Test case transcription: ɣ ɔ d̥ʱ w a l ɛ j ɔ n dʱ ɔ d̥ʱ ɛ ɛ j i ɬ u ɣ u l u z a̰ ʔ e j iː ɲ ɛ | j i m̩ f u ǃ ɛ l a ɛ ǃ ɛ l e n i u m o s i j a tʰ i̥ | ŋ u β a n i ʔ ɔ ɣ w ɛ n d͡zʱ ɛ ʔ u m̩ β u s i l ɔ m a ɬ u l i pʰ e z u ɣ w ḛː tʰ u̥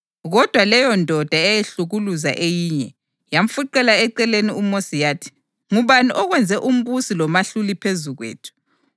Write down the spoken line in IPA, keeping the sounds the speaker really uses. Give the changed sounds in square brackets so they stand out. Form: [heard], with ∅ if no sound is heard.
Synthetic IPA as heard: ɣ ɔ d̥ʱ w a l ɛ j ɔ n dʱ ɔ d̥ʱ [a] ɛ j [e] ɬ u ɣ u l u z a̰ ʔ e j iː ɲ ɛ | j [a] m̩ f u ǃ ɛ l a ɛ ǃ ɛ l e n i u m o s i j a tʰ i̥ | ŋ u β a n i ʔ ɔ ɣ w ɛ n d͡zʱ ɛ ʔ u m̩ β u s i l ɔ m a ɬ u l i pʰ e z u ɣ w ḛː tʰ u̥